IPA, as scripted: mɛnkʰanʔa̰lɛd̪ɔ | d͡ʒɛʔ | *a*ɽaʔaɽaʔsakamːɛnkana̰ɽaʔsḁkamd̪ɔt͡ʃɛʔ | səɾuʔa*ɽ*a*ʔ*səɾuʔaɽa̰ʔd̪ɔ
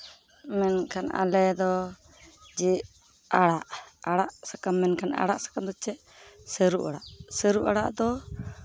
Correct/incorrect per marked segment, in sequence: correct, correct, correct

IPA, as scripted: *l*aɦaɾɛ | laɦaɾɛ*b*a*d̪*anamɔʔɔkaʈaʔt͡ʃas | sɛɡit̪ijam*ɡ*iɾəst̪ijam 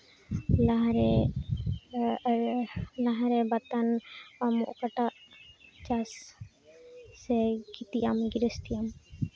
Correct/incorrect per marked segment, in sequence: correct, correct, incorrect, correct

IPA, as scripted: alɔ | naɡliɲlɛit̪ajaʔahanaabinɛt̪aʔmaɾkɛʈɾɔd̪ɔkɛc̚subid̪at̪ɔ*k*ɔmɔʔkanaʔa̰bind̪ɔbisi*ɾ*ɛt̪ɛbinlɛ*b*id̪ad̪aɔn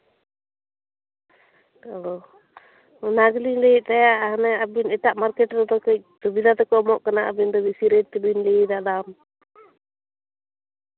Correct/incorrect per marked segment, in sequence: correct, correct, incorrect

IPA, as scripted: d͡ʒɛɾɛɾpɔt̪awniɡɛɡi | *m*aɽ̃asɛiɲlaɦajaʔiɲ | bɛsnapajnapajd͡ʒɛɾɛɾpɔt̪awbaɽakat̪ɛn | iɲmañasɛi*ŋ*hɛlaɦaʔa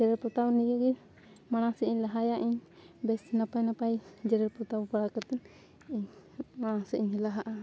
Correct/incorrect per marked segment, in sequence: correct, incorrect

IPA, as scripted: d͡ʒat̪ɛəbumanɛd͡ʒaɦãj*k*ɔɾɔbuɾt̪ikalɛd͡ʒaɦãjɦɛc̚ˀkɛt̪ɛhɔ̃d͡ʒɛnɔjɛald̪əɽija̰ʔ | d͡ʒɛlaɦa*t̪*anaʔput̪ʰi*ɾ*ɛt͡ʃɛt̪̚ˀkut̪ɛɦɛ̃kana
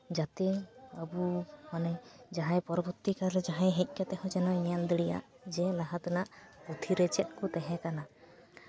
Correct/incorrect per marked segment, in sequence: incorrect, correct, correct

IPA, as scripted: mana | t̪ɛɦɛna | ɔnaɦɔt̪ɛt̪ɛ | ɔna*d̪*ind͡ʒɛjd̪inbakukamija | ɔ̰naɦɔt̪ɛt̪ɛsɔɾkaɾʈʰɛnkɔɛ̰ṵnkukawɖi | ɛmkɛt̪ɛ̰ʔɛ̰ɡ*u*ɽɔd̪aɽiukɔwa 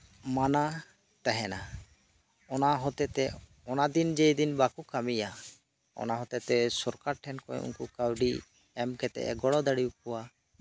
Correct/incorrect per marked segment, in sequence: correct, incorrect

